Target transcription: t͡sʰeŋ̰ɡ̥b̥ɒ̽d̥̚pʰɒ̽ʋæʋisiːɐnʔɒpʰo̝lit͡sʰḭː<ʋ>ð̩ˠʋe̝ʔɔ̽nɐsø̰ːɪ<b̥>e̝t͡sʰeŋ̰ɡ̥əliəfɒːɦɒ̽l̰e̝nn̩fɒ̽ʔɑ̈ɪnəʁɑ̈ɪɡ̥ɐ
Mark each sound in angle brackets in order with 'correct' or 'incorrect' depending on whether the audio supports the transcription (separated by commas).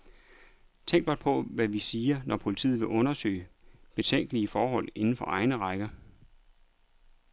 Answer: incorrect, correct